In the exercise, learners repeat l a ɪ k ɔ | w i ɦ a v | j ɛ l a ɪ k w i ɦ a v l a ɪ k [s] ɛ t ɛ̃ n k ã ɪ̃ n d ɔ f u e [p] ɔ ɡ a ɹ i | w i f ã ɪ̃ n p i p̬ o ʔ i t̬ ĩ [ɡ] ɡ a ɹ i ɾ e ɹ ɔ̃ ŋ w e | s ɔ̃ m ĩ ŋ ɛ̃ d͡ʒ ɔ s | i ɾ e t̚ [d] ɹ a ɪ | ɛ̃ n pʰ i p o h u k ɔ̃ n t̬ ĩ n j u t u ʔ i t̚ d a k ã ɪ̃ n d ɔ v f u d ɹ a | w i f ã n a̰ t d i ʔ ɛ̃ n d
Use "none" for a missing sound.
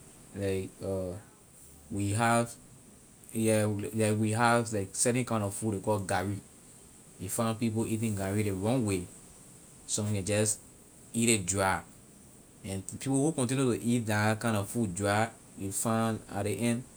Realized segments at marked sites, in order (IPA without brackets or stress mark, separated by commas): s, k, ŋ, d